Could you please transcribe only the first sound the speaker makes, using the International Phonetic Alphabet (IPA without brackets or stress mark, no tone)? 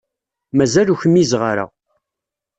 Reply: m